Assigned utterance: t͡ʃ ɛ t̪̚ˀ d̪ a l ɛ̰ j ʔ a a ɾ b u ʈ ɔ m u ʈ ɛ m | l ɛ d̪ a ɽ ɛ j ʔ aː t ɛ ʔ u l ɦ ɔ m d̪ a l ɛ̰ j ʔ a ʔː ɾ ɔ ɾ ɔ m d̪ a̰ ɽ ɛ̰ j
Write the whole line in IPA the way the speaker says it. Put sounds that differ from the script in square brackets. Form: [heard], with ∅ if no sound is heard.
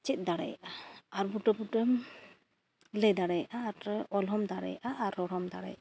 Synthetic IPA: t͡ʃ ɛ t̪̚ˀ d̪ a [ɽ] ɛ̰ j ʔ a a ɾ b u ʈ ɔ [b] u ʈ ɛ m | l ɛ d̪ a ɽ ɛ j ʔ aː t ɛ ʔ [ɔ] l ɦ ɔ m d̪ a [ɽ] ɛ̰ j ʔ a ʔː ɾ ɔ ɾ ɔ m d̪ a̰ ɽ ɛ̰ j